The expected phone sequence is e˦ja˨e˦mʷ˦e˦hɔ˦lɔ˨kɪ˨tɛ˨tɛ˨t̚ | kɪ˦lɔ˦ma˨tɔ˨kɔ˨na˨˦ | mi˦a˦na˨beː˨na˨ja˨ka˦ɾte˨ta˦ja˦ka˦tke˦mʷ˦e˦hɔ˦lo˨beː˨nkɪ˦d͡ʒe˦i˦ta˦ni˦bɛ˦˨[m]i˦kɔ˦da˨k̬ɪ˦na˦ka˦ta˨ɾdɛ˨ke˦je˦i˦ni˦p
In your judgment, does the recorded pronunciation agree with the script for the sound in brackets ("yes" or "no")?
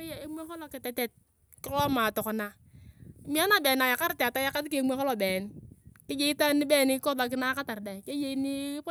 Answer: no